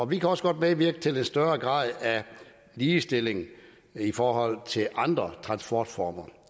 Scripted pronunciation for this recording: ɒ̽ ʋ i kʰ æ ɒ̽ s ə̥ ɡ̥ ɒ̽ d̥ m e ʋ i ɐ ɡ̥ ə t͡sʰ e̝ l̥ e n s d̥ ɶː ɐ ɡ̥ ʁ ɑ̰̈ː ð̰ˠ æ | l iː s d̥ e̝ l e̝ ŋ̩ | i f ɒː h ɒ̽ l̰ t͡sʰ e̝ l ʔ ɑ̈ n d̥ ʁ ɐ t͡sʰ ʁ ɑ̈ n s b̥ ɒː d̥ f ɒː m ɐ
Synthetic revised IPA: ɒ̽ ʋ i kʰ æ ɒ̽ s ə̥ ɡ̥ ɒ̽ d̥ m e ʋ i ɐ ɡ̥ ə t͡sʰ e̝ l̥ e n s d̥ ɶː ɐ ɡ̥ ʁ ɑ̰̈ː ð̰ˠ æ | l iː s d̥ e̝ l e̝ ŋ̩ | i f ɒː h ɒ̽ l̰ t͡sʰ e̝ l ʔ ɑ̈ n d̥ ʁ ɐ t͡sʰ ʁ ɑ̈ n s b̥ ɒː d̥ f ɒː m ɐ